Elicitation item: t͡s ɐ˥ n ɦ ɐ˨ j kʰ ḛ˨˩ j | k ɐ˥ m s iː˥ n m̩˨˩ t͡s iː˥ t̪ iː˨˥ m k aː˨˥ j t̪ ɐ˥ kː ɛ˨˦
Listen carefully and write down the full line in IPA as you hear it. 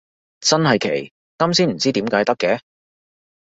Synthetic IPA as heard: t͡s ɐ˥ n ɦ ɐ˨ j kʰ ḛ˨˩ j | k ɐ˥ m s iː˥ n m̩˨˩ t͡s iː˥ t̪ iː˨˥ m k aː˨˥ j t̪ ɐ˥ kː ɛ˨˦